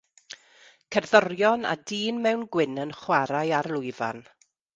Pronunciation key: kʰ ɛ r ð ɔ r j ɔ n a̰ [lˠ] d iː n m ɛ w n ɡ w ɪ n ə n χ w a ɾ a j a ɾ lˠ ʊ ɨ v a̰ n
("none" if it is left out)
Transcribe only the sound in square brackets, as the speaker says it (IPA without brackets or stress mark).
none